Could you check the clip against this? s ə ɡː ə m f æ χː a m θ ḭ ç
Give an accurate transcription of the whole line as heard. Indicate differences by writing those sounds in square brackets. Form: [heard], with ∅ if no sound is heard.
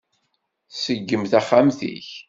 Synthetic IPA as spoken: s ə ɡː ə m [θ] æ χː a m θ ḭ ç